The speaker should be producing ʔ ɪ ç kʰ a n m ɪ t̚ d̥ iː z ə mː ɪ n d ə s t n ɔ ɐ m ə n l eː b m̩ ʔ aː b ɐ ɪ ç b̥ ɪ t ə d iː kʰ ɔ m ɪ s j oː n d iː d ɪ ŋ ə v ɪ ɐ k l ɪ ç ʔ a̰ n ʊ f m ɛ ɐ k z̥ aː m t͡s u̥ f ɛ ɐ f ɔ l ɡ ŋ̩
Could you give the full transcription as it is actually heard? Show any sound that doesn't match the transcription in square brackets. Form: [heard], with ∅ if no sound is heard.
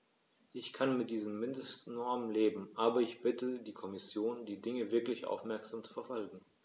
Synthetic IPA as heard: ʔ ɪ ç kʰ a n m ɪ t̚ d̥ iː z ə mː ɪ n d ə s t n ɔ ɐ m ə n l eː b m̩ ʔ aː b ɐ ɪ ç b̥ ɪ t ə d iː kʰ ɔ m ɪ s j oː n d iː d ɪ ŋ ə v ɪ ɐ k l ɪ ç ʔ a̰ [∅] ʊ f m ɛ ɐ k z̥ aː m t͡s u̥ f ɛ ɐ f ɔ l ɡ ŋ̩